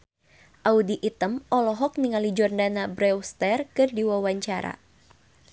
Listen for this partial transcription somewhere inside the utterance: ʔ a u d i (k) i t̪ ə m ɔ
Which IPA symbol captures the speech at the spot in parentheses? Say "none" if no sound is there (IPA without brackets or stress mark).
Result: ʔ